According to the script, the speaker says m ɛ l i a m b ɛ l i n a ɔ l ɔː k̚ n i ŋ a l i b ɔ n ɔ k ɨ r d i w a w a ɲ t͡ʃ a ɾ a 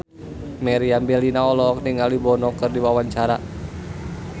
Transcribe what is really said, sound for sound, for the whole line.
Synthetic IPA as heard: m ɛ ɾ i a m b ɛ l i n a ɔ l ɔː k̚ n i ŋ a l i b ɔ n ɔ k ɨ r d i w a w a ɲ t͡ʃ a ɾ a